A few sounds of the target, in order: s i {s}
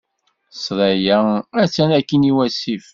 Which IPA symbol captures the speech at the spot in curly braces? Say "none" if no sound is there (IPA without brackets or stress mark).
f